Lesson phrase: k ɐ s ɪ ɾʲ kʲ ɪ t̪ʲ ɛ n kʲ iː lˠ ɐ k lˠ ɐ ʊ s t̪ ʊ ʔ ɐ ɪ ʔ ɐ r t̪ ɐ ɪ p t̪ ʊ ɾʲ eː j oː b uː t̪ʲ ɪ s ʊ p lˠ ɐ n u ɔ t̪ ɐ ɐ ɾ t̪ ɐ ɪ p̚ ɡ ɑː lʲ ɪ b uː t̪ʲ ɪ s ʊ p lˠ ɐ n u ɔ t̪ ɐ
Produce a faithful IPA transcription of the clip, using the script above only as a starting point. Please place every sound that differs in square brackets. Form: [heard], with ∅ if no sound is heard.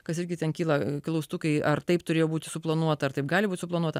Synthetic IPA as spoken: k ɐ s ɪ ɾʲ [ɡʲ] ɪ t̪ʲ ɛ n kʲ iː lˠ ɐ k lˠ ɐ ʊ s t̪ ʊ [k] ɐ ɪ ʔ ɐ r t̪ ɐ ɪ p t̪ ʊ ɾʲ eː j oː b uː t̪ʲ ɪ s ʊ p lˠ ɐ n u ɔ t̪ ɐ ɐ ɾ t̪ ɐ ɪ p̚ ɡ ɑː lʲ ɪ b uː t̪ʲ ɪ s ʊ p lˠ ɐ n u ɔ t̪ ɐ